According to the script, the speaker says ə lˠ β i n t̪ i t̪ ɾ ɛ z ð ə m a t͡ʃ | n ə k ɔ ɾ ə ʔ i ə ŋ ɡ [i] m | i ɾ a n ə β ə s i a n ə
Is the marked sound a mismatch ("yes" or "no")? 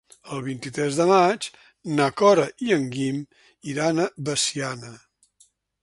no